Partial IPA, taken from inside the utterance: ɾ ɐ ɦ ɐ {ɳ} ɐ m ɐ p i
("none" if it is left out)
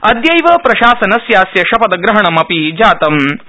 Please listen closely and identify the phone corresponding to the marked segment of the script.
ɳ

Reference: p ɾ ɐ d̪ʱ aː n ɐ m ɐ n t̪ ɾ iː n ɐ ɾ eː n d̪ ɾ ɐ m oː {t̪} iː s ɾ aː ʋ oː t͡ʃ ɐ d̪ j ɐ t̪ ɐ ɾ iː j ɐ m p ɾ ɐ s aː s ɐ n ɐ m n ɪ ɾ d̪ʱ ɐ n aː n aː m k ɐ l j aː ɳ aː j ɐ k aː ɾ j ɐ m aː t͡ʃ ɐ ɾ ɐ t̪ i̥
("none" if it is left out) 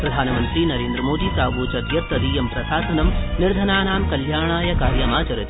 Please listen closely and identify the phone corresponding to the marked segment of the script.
d̪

